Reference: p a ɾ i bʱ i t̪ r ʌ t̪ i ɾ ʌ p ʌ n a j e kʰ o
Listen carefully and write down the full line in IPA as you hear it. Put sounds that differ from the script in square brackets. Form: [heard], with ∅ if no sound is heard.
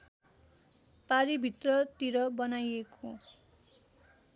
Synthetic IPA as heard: p a ɾ i bʱ i t̪ r ʌ t̪ i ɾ ʌ [b] ʌ n a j e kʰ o